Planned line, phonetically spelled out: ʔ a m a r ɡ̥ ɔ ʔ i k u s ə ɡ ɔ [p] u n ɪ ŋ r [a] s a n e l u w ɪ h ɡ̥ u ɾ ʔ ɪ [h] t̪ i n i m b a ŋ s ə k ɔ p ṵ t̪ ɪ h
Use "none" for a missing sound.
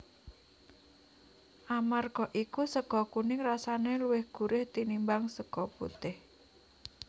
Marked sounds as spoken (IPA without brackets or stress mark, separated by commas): k, a, h